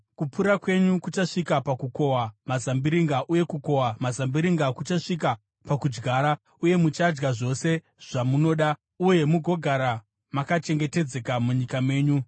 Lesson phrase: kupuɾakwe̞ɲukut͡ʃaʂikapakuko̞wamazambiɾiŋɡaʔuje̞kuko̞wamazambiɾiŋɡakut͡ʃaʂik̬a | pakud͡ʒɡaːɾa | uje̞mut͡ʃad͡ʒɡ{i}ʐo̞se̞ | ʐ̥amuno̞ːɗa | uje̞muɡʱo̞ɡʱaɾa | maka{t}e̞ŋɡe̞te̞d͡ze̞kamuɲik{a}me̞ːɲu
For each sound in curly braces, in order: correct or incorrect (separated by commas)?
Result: incorrect, incorrect, correct